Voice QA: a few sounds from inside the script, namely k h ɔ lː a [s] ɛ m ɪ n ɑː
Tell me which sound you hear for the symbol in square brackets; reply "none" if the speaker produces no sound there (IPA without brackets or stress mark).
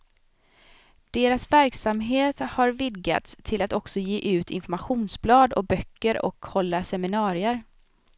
s